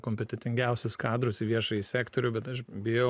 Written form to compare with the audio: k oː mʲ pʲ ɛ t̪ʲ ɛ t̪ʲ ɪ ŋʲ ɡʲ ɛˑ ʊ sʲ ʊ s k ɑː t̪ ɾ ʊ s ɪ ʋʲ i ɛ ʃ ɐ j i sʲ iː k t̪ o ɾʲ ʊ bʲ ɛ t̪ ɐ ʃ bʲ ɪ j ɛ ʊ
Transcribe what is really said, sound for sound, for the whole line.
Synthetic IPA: k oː mʲ pʲ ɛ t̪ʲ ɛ t̪ʲ ɪ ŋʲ ɡʲ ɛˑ ʊ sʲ ʊ s k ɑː d̪ ɾ ʊ s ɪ ʋʲ i ɛ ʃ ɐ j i sʲ æː k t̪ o ɾʲ ʊ bʲ ɛ t̪ ɐ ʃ bʲ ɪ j ɛ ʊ